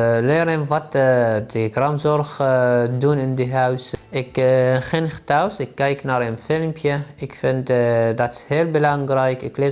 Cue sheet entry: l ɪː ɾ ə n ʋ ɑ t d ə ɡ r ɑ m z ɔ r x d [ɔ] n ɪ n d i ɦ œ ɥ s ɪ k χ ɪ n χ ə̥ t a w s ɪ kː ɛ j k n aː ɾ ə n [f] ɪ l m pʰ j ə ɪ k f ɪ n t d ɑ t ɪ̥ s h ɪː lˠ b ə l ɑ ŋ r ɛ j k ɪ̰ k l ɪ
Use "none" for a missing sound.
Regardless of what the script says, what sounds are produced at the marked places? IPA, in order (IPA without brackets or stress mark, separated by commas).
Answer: u, f